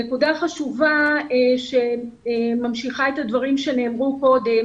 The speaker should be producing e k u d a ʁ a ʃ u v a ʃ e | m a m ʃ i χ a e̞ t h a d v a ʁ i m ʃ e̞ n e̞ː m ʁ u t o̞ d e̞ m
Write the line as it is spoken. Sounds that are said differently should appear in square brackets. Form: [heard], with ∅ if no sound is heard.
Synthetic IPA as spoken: e k u d a [χ] a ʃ u v a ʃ e | m a m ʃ i χ a e̞ t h a d v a ʁ i m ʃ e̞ n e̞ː m ʁ u [k] o̞ d e̞ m